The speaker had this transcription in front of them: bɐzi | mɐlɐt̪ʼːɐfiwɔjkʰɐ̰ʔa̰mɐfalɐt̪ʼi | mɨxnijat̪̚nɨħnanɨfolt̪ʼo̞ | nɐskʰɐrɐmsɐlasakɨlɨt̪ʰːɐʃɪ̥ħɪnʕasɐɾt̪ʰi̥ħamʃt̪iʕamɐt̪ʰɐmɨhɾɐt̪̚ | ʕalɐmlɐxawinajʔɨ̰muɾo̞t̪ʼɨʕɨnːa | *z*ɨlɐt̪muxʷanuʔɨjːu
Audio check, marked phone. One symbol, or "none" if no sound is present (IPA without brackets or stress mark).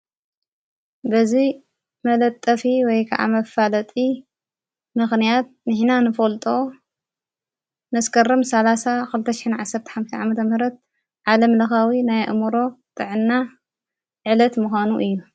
ʕ